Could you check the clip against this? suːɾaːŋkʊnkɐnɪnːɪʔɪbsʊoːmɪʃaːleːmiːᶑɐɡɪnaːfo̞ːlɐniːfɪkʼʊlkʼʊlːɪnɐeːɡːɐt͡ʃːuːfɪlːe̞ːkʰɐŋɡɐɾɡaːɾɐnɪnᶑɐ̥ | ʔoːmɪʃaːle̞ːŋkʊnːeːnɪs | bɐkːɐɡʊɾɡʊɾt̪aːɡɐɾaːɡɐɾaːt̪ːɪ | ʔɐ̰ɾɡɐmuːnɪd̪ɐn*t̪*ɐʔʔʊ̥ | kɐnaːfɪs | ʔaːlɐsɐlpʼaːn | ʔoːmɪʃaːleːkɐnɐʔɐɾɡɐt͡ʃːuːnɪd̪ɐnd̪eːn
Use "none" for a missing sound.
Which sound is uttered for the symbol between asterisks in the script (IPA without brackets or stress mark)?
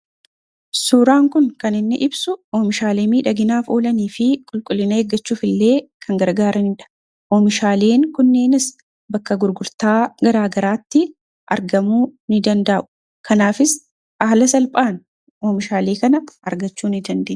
d̪